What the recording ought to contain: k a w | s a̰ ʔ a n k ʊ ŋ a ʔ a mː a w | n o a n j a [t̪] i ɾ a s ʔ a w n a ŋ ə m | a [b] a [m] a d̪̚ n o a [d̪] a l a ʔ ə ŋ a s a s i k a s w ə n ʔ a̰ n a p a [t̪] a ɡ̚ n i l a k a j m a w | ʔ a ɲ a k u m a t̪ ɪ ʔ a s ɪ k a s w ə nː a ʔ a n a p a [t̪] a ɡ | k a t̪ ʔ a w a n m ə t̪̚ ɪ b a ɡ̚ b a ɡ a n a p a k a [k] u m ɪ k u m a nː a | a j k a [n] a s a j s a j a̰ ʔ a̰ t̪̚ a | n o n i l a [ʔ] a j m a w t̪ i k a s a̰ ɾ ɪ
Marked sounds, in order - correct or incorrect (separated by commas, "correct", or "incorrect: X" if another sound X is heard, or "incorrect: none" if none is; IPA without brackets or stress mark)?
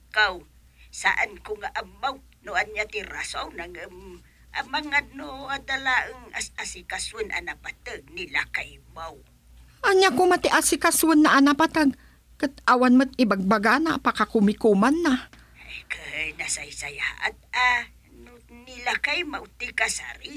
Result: correct, incorrect: m, incorrect: ŋ, correct, correct, correct, correct, correct, incorrect: k